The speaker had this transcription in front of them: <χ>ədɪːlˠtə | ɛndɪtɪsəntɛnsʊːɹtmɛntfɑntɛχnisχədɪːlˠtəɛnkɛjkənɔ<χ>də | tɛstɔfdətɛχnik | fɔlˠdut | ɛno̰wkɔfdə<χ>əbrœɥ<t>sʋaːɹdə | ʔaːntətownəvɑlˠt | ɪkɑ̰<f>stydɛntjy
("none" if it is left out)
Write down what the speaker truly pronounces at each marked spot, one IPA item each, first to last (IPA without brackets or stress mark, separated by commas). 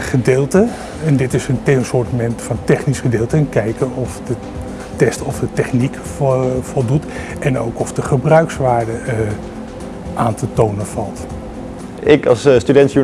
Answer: χ, f, χ, k, s